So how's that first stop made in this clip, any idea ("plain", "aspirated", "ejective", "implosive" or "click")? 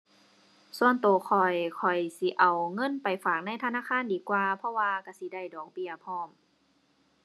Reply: plain